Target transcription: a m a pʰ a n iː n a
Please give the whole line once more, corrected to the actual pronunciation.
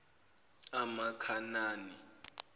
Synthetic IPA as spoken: a m a kʰ a n aː n i